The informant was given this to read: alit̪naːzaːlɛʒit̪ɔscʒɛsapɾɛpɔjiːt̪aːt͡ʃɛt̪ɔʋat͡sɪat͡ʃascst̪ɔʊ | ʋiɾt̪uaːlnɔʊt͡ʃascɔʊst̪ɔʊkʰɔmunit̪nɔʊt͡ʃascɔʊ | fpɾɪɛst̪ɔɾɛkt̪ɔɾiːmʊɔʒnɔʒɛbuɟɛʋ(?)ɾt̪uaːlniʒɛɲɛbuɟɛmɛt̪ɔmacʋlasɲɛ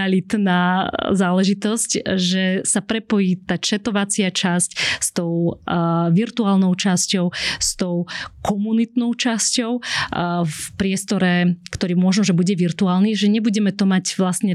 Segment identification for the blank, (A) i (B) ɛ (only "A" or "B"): A